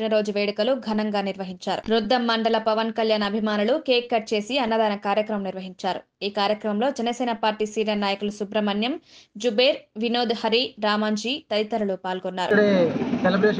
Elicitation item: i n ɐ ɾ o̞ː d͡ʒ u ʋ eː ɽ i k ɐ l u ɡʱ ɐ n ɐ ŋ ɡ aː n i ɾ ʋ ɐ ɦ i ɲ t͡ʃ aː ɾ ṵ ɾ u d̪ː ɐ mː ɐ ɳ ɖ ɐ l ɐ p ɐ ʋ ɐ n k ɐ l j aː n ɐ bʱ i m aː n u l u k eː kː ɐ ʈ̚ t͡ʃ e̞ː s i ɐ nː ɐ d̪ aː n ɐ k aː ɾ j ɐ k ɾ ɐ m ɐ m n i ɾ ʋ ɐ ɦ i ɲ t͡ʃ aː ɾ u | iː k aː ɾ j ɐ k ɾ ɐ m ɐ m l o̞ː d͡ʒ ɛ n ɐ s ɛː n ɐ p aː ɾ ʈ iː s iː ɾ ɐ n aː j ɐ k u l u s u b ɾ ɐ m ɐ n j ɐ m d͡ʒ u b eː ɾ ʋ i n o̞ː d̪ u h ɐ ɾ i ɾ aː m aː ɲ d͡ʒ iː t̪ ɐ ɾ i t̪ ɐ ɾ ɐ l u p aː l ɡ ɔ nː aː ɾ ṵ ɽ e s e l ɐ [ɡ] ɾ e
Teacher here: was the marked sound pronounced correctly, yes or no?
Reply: no